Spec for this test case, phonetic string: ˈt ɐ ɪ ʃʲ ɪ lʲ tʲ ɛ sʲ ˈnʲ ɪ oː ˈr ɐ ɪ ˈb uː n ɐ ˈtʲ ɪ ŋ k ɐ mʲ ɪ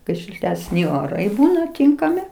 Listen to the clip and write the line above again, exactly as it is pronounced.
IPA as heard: ˈk ɐ ɪ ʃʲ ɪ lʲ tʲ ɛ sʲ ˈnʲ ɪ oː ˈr ɐ ɪ ˈb uː n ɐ ˈtʲ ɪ ŋ k ɐ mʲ ɪ

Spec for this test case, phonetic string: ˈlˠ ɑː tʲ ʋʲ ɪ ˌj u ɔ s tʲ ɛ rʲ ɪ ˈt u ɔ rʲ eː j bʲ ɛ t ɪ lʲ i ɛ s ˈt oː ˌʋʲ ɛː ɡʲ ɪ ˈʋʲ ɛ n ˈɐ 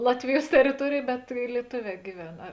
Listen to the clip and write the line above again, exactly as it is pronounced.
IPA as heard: ˈlˠ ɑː tʲ ʋʲ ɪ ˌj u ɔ s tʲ ɛ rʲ ɪ ˈt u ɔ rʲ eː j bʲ ɛ t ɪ lʲ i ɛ ˈt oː ˌʋʲ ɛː ɡʲ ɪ ˈʋʲ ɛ n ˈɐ

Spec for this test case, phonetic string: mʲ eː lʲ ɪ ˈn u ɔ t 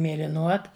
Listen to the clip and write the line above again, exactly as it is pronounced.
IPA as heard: mʲ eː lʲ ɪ ˈn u ɔ t

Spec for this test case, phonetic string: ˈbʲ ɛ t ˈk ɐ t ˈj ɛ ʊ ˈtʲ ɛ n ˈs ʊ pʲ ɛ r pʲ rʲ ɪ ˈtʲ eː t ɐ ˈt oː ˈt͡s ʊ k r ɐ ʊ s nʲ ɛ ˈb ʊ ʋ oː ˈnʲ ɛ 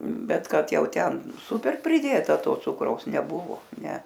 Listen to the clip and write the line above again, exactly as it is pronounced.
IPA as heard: ˈbʲ ɛ t ˈk ɐ t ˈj ɛ ʊ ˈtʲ ɛ n ˈs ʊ pʲ ɛ r pʲ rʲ ɪ ˈdʲ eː t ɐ ˈt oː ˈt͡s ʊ k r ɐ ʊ s nʲ ɛ ˈb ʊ ʋ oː ˈnʲ ɛ

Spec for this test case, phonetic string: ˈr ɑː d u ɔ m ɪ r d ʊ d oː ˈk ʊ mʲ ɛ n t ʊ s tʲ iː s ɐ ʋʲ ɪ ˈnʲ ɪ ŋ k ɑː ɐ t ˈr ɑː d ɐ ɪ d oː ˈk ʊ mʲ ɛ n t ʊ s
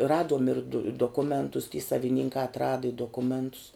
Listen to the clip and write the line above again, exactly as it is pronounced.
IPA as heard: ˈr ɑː d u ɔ m ɪ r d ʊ d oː ˈk ʊ mʲ ɛ n t ʊ s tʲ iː s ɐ ʋʲ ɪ ˈnʲ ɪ ŋ k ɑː ɐ t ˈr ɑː d ɐ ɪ d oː ˈk ʊ mʲ ɛ n t ʊ s

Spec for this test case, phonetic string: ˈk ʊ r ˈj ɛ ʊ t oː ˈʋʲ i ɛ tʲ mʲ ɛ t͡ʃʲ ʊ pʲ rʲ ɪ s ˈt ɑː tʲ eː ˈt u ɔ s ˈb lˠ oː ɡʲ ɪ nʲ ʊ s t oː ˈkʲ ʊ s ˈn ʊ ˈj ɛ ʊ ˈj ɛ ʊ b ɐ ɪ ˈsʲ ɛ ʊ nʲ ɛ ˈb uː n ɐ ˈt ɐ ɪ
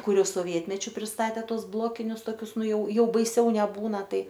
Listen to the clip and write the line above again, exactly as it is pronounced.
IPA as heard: ˈk ʊ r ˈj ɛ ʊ s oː ˈʋʲ i ɛ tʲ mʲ ɛ t͡ʃʲ ʊ pʲ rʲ ɪ s ˈt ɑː tʲ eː ˈt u ɔ s ˈb lˠ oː kʲ ɪ nʲ ʊ s t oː ˈkʲ ʊ s ˈn ʊ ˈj ɛ ʊ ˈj ɛ ʊ b ɐ ɪ ˈsʲ ɛ ʊ nʲ ɛ ˈb uː n ɐ ˈt ɐ ɪ

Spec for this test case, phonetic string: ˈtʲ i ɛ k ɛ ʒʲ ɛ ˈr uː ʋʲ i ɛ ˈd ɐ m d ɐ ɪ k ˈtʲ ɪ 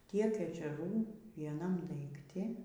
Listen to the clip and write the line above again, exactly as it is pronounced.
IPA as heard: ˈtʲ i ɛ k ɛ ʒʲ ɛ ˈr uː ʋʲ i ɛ ˈn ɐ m d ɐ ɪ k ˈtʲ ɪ

